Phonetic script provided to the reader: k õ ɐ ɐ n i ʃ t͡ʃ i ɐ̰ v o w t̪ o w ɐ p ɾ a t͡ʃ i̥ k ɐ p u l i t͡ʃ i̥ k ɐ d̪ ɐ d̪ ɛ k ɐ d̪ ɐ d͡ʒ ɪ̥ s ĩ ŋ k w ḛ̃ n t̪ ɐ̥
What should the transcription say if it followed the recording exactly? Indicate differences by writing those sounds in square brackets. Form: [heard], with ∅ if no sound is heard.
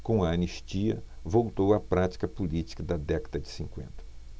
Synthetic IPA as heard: k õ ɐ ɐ n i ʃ t͡ʃ i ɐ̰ v o w t̪ o w ɐ p ɾ a t͡ʃ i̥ k ɐ p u l i t͡ʃ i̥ k ɐ d̪ ɐ d̪ ɛ k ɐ d̪ ɐ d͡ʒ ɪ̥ s ĩ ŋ k w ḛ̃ n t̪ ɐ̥